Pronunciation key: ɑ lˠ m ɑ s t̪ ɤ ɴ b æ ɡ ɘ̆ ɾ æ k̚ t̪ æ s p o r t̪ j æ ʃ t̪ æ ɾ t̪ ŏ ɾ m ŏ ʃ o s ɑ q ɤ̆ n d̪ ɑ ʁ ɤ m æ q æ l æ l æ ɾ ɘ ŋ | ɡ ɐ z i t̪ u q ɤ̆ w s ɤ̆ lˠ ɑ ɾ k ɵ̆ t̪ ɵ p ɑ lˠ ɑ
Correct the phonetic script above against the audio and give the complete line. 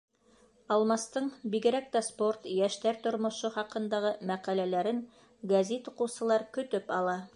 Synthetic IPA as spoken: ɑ lˠ m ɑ s t̪ ɤ ɴ b i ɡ ɘ̆ ɾ æ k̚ t̪ æ s p o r t̪ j æ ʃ t̪ æ ɾ t̪ ŏ ɾ m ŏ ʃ o χ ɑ q ɤ̆ n d̪ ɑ ʁ ɤ m æ q æ l æ l æ ɾ ɘ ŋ | ɡ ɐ z i t̪ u q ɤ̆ w s ɤ̆ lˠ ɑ ɾ k ɵ̆ t̪ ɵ p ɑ lˠ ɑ